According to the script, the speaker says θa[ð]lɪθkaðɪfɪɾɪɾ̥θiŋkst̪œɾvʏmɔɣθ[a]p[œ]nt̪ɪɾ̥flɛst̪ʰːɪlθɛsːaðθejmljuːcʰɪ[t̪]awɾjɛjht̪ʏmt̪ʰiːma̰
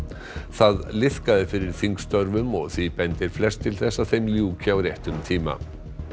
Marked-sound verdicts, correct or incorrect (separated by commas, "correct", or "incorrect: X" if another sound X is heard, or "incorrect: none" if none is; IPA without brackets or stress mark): correct, incorrect: i, incorrect: ɛ, incorrect: none